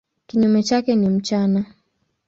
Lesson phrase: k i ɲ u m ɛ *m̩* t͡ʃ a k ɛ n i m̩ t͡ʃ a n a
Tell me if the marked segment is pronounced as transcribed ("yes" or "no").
no